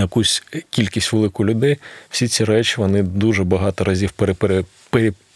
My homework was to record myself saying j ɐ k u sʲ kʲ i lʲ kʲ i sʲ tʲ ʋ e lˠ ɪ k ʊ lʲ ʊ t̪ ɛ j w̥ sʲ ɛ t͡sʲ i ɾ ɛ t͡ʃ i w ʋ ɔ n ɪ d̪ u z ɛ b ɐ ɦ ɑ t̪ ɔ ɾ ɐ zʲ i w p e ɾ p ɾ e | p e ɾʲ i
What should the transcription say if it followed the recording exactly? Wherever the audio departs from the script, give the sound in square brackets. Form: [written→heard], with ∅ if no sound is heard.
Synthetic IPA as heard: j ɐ k u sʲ kʲ i lʲ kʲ i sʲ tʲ ʋ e lˠ ɪ k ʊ lʲ ʊ [t̪→d̪] ɛ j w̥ sʲ [ɛ→i] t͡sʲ i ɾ ɛ t͡ʃ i [w→∅] ʋ ɔ n ɪ d̪ u [z→ʒ] ɛ b ɐ ɦ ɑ t̪ ɔ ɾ ɐ zʲ i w p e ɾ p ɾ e | p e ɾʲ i